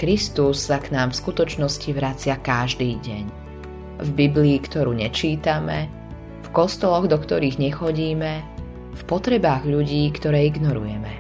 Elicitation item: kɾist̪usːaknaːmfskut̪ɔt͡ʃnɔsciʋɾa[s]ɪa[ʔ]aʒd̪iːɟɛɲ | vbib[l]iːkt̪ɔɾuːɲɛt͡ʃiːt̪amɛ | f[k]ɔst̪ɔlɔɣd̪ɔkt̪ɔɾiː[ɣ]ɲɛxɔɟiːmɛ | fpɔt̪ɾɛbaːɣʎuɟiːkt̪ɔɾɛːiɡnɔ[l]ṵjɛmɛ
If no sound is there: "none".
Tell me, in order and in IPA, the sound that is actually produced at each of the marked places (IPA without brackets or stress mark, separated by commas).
t͡s, k, l, k, ɣ, ɾ